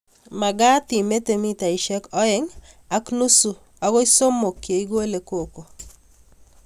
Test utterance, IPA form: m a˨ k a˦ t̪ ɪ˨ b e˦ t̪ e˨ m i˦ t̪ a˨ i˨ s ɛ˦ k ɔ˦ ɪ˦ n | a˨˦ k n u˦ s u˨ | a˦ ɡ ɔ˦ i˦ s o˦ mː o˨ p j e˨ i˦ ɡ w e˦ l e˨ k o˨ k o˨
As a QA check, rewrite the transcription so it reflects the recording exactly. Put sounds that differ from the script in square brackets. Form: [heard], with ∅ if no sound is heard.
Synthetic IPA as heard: m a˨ [ɡ] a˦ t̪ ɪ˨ [m] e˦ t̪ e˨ m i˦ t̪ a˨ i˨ [ʃ] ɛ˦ k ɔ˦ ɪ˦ [ŋ] | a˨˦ k n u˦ s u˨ | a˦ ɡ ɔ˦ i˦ s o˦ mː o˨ [k] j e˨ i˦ ɡ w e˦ l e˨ k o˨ k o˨